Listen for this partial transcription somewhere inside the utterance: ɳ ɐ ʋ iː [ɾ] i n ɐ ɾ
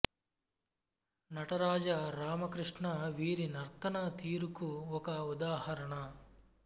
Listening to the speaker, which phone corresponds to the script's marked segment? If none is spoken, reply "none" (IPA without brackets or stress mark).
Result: ɾ